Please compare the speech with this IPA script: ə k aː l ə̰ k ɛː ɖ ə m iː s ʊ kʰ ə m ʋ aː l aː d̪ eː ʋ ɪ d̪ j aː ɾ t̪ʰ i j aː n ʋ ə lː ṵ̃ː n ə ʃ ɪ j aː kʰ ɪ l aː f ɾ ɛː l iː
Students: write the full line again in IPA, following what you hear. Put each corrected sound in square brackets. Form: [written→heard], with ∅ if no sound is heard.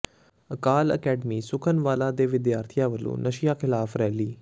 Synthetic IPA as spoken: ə k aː l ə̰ k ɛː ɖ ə m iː s ʊ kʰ ə [m→n] ʋ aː l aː d̪ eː ʋ ɪ d̪ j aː ɾ t̪ʰ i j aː [n→∅] ʋ ə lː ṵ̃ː n ə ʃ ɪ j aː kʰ ɪ l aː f ɾ ɛː l iː